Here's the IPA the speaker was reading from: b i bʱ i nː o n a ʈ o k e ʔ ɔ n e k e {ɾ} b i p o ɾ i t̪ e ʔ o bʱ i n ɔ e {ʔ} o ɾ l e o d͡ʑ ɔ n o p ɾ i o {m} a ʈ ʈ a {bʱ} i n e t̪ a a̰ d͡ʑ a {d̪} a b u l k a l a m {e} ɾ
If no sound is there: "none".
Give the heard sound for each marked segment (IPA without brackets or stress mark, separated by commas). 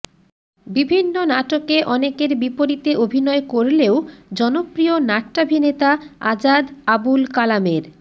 ɾ, k, n, bʱ, d̪, e